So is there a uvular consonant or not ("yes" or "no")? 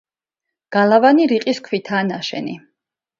yes